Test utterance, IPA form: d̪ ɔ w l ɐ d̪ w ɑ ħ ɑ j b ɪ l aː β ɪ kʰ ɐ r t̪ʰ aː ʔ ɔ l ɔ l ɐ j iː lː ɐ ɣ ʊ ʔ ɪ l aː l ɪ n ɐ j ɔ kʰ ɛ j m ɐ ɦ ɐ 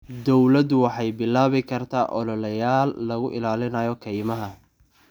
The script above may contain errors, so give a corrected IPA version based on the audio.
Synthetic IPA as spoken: d̪ ɔ w l ɐ d̪ w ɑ ħ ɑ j b ɪ l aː β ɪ kʰ ɐ r t̪ʰ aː ʔ ɔ l ɔ l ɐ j aː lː ɐ ɣ ʊ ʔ ɪ l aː l ɪ n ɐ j ɔ kʰ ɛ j m ɐ ɦ ɐ